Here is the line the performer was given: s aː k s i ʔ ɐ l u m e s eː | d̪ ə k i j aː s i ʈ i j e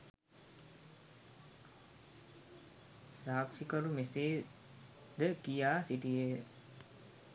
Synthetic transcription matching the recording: s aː k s i k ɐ ɾ u m e s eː | d̪ ə k i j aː s i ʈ i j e